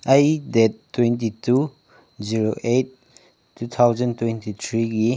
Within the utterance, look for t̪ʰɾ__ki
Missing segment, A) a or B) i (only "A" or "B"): B